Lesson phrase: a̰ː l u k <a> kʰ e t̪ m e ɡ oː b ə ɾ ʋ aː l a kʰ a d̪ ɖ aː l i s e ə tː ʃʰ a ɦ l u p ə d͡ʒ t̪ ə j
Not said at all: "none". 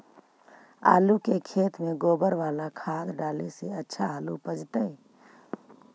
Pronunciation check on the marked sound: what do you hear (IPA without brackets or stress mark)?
e